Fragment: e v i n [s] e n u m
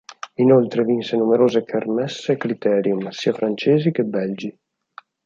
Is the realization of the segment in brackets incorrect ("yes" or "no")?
no